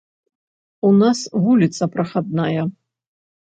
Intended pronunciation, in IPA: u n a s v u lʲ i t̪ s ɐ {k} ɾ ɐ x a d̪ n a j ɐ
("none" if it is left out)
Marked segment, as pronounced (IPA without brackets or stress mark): p